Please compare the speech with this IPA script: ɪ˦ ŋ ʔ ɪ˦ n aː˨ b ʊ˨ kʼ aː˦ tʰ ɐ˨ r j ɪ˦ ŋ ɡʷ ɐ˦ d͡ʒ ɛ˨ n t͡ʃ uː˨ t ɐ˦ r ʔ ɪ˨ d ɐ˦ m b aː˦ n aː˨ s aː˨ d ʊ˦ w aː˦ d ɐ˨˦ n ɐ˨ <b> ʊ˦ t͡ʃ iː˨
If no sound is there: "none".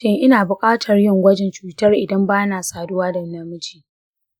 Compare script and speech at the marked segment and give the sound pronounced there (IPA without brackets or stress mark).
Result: m